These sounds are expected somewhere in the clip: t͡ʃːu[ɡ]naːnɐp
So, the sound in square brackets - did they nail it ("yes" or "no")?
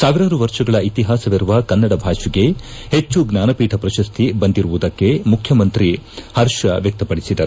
yes